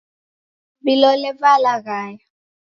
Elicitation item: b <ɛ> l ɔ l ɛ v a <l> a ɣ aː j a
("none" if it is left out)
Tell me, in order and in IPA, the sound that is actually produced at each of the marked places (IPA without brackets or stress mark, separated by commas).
i, l